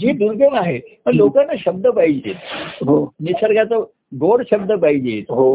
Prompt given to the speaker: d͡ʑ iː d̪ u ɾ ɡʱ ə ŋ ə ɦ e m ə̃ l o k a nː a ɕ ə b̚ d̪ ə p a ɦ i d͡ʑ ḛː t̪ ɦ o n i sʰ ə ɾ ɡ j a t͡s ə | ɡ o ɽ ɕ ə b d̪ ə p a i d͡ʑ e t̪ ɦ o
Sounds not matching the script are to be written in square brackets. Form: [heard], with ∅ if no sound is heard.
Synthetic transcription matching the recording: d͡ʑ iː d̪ u ɾ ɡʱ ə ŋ [a] ɦ e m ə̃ l o k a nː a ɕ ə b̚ d̪ ə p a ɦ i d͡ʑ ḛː t̪ ɦ o n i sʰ ə ɾ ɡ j a t͡s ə | ɡ o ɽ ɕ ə b d̪ ə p a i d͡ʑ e t̪ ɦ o